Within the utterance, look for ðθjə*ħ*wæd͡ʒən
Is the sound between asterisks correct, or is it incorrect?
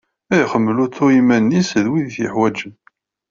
correct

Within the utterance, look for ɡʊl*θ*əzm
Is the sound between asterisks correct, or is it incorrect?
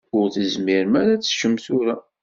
correct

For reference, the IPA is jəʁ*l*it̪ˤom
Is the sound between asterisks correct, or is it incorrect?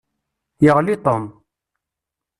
correct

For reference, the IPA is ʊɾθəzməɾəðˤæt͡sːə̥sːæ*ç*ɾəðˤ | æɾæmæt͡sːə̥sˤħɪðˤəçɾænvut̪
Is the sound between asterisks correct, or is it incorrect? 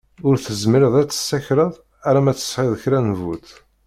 correct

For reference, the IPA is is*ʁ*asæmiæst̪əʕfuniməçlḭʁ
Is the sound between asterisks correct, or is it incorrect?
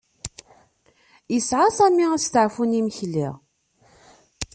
incorrect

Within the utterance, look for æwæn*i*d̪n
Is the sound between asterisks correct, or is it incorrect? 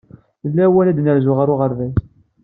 incorrect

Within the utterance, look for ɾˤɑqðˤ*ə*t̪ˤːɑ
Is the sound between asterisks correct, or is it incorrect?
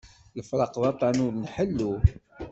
incorrect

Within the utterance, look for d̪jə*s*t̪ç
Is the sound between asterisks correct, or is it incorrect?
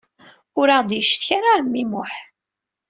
incorrect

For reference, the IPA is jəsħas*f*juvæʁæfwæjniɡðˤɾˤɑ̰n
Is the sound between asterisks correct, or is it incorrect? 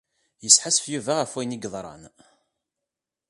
correct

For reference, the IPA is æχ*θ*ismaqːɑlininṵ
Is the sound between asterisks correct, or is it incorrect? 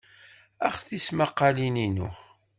correct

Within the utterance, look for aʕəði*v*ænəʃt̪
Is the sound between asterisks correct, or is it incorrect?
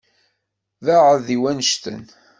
incorrect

